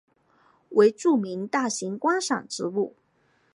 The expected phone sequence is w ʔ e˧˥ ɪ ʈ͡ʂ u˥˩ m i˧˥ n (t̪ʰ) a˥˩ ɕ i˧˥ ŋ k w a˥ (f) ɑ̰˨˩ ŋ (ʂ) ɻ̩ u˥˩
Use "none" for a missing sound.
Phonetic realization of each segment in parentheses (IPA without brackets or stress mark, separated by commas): t̪, ʂ, ʈ͡ʂ